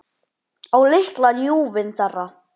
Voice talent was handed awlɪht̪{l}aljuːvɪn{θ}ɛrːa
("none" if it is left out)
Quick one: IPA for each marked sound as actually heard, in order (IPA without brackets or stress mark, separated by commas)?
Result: l, θ